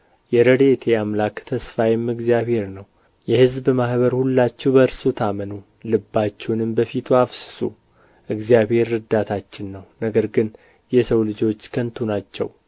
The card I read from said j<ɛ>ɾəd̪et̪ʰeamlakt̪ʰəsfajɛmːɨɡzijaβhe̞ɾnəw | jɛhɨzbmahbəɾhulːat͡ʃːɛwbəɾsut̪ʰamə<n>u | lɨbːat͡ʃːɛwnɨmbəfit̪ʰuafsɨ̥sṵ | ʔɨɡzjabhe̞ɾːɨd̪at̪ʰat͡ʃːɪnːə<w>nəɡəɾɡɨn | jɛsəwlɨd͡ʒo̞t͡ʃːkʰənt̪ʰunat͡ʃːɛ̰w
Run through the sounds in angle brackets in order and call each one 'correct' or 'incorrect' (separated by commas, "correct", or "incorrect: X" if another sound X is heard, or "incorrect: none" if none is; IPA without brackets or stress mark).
correct, correct, correct